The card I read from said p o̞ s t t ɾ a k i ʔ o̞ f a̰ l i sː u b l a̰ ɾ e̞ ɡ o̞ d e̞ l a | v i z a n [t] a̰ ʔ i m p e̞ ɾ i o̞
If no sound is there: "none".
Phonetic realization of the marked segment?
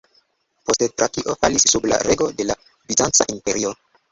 t͡s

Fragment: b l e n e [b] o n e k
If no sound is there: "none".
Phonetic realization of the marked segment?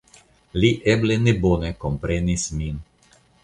b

